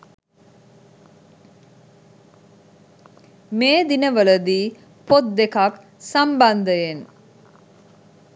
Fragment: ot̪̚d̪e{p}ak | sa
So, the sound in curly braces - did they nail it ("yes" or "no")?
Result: no